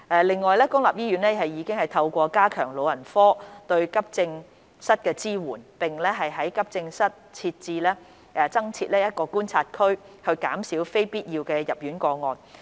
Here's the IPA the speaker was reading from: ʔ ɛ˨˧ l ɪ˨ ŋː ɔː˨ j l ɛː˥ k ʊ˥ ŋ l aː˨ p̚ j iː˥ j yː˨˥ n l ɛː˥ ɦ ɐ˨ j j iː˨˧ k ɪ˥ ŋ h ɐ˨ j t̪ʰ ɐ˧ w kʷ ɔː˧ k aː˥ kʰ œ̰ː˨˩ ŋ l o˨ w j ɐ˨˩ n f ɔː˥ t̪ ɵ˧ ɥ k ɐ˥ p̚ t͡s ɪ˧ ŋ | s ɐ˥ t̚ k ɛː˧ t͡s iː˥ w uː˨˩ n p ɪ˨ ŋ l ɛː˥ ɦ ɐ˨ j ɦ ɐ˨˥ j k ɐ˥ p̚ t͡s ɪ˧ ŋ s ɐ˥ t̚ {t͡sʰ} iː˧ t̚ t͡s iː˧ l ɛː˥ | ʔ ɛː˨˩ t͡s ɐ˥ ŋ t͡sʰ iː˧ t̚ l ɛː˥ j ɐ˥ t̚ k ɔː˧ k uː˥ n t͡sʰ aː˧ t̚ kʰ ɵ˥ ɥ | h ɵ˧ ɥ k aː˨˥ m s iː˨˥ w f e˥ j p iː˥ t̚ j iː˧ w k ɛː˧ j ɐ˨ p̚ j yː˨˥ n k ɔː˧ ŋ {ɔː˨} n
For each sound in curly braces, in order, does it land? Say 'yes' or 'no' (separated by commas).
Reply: yes, yes